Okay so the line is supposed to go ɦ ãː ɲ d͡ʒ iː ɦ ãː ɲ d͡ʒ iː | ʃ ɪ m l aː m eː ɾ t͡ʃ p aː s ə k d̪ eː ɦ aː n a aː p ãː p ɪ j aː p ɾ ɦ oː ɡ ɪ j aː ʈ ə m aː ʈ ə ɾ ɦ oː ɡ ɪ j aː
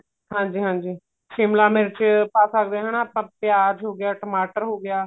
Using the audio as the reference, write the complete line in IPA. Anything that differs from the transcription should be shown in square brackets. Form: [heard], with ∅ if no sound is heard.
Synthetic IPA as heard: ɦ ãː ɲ d͡ʒ iː ɦ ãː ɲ d͡ʒ iː | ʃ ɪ m l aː m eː ɾ t͡ʃ p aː s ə k d̪ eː ɦ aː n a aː p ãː p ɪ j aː [∅] ɾ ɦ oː ɡ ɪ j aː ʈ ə m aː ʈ ə ɾ ɦ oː ɡ ɪ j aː